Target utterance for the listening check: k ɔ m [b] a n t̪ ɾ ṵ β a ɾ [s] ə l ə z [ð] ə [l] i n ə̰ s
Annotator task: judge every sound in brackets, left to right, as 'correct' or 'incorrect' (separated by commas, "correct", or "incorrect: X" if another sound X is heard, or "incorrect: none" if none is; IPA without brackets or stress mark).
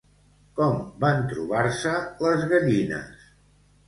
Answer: correct, correct, incorrect: ɣ, incorrect: ʎ